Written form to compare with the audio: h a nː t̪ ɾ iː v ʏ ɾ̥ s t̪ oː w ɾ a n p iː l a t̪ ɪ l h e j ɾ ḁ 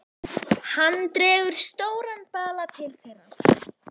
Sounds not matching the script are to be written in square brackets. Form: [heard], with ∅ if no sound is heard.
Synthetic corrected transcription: h a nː t̪ ɾ [ɛː] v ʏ ɾ̥ s t̪ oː w ɾ a n p [aː] l a [t̪ʰ] ɪ l [θ] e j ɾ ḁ